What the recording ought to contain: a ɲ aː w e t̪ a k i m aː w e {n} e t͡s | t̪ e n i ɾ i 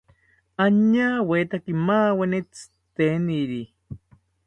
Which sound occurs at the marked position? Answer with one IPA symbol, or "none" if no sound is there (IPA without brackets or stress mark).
n